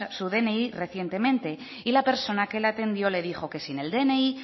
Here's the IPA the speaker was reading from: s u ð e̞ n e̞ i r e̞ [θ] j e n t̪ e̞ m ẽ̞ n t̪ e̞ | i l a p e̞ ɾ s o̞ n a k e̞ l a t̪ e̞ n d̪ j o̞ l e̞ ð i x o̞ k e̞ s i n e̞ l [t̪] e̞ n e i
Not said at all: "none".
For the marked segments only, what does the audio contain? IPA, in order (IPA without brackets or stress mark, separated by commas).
θ, d̪